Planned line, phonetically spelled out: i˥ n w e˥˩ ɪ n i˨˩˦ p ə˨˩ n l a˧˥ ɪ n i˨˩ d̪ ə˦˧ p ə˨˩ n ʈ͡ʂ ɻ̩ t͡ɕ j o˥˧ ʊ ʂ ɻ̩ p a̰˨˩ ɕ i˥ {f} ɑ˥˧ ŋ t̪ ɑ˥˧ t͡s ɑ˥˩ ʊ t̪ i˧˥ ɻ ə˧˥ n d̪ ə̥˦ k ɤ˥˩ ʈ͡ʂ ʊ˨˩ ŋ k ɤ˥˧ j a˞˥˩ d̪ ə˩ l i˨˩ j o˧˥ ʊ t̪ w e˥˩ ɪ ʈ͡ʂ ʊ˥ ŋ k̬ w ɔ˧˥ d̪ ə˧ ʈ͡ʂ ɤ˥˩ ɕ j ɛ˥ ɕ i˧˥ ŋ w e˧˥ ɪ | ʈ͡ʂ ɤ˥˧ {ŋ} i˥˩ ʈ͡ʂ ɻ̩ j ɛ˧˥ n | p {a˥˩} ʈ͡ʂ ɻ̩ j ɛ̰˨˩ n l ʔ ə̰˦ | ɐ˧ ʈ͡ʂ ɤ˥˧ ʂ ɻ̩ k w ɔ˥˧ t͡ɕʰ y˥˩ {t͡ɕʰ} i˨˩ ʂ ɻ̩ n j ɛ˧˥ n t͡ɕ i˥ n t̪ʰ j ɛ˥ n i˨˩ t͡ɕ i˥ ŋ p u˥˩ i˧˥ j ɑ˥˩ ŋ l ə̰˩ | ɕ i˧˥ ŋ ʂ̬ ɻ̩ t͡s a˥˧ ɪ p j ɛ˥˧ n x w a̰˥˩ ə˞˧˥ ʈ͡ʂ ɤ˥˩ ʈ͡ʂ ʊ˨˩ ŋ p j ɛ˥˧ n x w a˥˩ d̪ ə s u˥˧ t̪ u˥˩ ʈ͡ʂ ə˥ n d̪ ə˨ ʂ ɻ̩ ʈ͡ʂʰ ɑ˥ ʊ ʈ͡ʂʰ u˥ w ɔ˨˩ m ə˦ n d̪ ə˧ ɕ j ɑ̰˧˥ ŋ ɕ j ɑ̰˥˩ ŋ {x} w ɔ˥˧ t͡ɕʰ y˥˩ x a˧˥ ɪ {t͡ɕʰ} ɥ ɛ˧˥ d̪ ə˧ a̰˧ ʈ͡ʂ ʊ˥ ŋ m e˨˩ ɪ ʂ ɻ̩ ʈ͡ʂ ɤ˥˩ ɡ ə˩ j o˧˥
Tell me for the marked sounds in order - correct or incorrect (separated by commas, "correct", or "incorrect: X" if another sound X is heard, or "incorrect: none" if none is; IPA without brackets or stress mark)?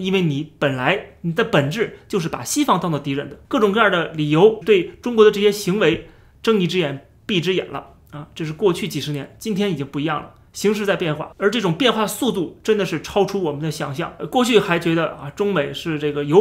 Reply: correct, correct, incorrect: i˥˩, incorrect: t͡ɕ, incorrect: k, incorrect: t͡ɕ